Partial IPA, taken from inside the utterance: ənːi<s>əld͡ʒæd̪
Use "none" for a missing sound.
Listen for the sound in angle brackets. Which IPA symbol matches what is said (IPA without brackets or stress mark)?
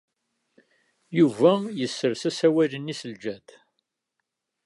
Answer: s